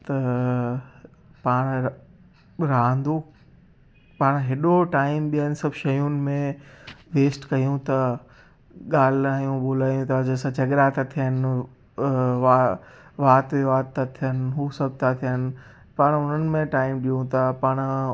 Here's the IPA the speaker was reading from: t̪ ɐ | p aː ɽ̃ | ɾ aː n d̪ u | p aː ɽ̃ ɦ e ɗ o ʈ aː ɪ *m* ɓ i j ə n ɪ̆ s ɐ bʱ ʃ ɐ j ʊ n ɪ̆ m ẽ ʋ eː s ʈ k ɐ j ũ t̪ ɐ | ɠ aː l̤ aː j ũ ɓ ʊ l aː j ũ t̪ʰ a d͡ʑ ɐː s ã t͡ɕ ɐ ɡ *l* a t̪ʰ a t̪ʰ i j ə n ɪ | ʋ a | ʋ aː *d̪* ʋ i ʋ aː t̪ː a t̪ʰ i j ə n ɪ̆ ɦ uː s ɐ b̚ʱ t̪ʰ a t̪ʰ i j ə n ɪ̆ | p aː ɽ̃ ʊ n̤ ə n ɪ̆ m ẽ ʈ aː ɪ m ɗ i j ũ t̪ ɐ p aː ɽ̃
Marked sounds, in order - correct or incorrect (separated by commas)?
correct, incorrect, incorrect